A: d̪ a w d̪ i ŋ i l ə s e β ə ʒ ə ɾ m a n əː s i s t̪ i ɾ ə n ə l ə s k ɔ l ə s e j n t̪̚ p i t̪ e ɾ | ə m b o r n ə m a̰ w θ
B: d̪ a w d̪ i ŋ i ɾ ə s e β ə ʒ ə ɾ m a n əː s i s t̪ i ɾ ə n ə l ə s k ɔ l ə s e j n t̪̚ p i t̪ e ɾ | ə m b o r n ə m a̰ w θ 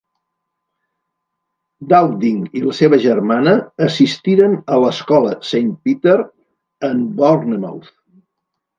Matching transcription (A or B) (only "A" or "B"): A